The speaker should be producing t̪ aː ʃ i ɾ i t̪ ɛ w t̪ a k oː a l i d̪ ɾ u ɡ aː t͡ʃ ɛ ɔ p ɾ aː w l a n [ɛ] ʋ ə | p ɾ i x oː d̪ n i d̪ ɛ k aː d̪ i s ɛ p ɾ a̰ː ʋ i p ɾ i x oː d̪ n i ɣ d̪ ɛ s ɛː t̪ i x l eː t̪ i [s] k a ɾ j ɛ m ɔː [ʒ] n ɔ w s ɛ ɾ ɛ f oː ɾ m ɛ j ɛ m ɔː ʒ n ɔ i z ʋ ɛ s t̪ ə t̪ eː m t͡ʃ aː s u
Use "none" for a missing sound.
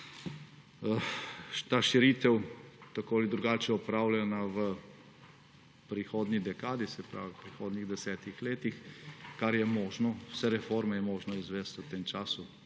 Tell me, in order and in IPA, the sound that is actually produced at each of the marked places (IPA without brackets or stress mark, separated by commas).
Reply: a, x, ʒ